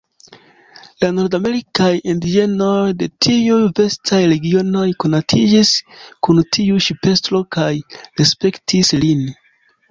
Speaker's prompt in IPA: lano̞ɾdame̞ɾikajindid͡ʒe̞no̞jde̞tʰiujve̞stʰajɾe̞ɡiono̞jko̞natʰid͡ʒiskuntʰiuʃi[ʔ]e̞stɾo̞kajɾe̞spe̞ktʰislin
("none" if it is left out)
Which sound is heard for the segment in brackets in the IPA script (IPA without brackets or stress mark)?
p